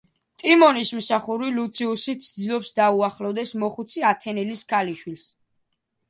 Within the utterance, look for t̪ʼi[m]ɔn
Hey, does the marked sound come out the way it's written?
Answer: yes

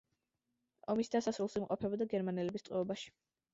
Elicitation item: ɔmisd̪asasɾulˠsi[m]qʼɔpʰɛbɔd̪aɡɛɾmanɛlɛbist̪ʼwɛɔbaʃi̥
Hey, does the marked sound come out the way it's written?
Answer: yes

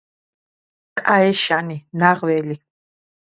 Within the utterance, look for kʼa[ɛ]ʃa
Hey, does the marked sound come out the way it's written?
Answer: yes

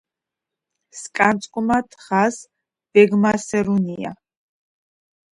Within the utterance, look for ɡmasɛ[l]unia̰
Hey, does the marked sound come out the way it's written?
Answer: no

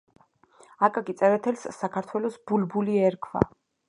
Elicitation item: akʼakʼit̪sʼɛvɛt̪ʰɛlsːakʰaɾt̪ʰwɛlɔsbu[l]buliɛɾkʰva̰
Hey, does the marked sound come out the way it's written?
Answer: yes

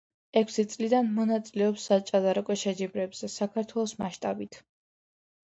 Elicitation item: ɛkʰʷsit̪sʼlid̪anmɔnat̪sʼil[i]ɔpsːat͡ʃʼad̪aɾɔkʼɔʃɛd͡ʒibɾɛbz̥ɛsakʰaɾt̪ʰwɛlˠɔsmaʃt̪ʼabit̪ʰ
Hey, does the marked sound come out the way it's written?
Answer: no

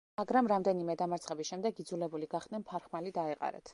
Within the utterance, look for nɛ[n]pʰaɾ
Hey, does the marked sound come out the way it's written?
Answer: yes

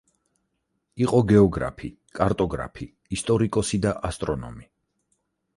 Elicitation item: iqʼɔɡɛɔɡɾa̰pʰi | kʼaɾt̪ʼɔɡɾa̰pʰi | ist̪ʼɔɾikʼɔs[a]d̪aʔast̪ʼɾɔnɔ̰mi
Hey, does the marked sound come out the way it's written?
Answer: no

